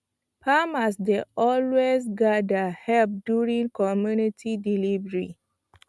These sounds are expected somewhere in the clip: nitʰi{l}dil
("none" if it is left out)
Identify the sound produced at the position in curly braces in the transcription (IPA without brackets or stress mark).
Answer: none